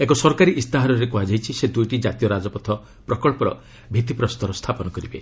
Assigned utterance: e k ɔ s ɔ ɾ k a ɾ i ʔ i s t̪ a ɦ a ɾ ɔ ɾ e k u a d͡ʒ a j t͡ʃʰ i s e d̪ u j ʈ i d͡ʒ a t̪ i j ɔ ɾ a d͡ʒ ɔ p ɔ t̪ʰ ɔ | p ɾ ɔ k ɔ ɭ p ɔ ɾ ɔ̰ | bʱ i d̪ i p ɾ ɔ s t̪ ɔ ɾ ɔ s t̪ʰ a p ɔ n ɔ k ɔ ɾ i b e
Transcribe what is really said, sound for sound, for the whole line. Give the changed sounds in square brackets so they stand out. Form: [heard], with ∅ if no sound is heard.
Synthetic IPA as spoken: e k ɔ s ɔ ɾ k a ɾ i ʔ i s t̪ a ɦ a ɾ ɔ ɾ e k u a d͡ʒ a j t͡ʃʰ i s e d̪ u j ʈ i d͡ʒ a t̪ i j ɔ ɾ a d͡ʒ ɔ p ɔ t̪ʰ ɔ | p ɾ ɔ k ɔ ɭ p ɔ ɾ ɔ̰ | bʱ i [t̪] i p ɾ ɔ s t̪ ɔ ɾ ɔ s t̪ʰ a p ɔ n ɔ k ɔ ɾ i b e

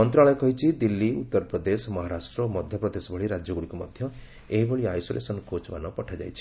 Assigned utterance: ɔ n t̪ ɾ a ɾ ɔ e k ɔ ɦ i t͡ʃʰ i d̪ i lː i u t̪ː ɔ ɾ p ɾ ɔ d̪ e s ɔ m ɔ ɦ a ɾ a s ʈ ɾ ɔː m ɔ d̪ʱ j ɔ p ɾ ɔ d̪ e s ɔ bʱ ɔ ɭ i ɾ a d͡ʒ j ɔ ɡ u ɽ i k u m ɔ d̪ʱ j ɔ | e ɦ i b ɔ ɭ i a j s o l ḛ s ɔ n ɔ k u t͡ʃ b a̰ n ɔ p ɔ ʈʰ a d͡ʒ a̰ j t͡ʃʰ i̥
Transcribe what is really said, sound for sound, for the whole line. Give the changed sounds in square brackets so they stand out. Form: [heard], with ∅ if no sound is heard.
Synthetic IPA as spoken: ɔ n t̪ ɾ a [ɭ] ɔ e k ɔ ɦ i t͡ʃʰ i d̪ i lː i u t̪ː ɔ ɾ p ɾ ɔ d̪ e s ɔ m ɔ ɦ a ɾ a s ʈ ɾ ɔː m ɔ d̪ʱ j ɔ p ɾ ɔ d̪ e s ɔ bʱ ɔ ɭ i ɾ a d͡ʒ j ɔ ɡ u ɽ i k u m ɔ d̪ʱ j ɔ | e ɦ i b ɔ ɭ i a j s o l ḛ s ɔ n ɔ k [o] t͡ʃ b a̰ n ɔ p ɔ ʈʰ a d͡ʒ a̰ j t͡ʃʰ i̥

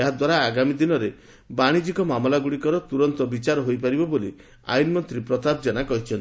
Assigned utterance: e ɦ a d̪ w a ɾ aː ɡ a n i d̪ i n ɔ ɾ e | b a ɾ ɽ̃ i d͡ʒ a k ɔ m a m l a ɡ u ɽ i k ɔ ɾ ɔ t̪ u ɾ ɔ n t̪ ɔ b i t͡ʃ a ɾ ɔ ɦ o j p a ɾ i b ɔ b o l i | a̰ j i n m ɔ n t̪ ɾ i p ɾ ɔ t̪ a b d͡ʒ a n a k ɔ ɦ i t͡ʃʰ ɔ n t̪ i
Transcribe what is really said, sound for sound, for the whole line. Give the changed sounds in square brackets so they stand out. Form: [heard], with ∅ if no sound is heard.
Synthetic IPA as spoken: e ɦ a d̪ w a ɾ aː ɡ a [m] i d̪ i n ɔ ɾ e | b a [∅] ɽ̃ i d͡ʒ [i] k ɔ m a m l a ɡ u ɽ i k ɔ ɾ ɔ t̪ u ɾ ɔ n t̪ ɔ b i t͡ʃ a ɾ ɔ ɦ o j p a ɾ i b ɔ b o l i | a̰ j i n m ɔ n t̪ ɾ i p ɾ ɔ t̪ a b d͡ʒ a n a k ɔ ɦ i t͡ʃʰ ɔ n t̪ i

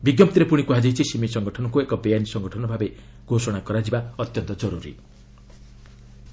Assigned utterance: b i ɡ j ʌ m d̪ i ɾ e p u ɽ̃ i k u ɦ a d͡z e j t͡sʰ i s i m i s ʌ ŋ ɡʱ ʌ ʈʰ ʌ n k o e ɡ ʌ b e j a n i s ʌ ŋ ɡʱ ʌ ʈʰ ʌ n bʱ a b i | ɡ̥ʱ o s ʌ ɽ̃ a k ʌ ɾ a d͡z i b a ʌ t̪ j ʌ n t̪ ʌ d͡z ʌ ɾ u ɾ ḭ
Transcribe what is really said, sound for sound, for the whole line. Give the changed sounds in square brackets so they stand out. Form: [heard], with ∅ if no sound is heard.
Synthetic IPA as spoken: b i ɡ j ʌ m [t̪] i ɾ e p u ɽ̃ i k u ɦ a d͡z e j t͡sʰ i s i m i s ʌ ŋ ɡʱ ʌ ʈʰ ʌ n k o e [k] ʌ b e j a n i s ʌ ŋ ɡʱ ʌ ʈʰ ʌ n bʱ a b [e] | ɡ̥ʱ o s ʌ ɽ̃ a k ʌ ɾ a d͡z i b a ʌ t̪ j ʌ n t̪ ʌ d͡z ʌ ɾ u ɾ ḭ

